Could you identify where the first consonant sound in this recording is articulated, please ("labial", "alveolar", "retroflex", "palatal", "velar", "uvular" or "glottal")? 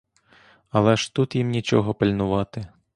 alveolar